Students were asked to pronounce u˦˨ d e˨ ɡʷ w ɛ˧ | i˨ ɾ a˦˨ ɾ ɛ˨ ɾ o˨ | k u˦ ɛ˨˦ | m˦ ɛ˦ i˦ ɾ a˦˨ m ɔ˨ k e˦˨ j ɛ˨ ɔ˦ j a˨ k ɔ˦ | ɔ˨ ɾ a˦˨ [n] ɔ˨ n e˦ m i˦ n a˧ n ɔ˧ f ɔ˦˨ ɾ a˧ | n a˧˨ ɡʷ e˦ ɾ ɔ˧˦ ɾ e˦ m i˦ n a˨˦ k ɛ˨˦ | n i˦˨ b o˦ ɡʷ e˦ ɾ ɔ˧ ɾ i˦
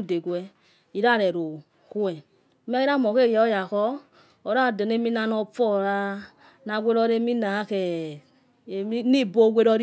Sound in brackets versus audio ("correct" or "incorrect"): incorrect